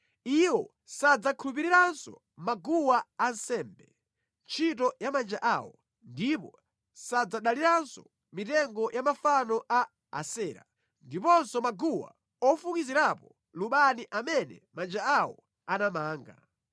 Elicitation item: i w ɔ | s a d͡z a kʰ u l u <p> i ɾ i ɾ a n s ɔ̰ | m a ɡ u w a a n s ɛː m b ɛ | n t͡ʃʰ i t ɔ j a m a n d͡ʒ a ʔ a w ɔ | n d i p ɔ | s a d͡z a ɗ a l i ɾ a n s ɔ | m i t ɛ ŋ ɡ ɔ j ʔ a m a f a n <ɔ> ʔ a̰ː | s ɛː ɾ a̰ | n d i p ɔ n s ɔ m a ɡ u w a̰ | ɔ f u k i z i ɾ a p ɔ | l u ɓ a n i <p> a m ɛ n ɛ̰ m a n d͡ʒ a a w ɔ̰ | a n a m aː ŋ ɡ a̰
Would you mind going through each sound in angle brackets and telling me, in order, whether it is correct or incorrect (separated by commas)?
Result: correct, correct, incorrect